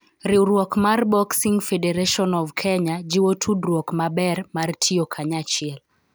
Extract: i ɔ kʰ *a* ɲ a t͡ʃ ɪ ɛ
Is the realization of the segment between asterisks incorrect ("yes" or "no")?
no